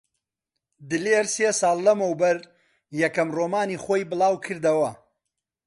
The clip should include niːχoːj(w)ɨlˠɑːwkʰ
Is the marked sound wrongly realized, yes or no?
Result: yes